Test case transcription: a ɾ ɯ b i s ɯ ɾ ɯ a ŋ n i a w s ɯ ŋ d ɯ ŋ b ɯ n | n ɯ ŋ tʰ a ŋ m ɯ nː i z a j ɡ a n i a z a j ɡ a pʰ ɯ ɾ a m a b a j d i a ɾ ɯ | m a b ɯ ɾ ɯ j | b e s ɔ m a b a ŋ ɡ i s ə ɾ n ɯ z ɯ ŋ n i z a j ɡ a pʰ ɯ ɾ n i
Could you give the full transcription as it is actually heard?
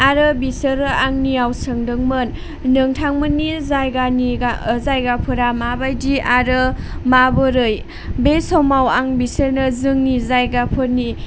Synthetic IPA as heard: a ɾ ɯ b i s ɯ ɾ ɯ a ŋ n i a w s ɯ ŋ d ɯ ŋ m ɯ n | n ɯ ŋ tʰ a ŋ m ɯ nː i z a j ɡ a n i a z a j ɡ a pʰ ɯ ɾ a m a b a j d i a ɾ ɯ | m a b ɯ ɾ ɯ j | b e s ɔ m a w a ŋ b i s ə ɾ n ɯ z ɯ ŋ n i z a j ɡ a pʰ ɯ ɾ n i